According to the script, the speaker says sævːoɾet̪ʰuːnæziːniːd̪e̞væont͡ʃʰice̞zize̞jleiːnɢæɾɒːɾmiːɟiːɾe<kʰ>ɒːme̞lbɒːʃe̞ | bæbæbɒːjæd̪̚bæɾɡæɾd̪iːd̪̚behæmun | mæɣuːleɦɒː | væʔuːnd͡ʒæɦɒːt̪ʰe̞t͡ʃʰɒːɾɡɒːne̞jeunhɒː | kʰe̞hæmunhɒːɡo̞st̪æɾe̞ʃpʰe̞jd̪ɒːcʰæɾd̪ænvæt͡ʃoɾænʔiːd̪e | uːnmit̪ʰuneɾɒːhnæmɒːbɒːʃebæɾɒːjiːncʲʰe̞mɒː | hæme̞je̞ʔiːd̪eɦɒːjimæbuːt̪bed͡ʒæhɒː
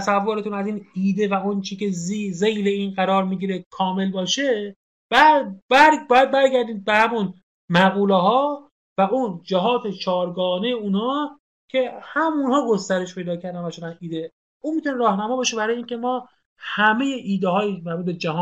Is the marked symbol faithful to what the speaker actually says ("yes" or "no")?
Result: yes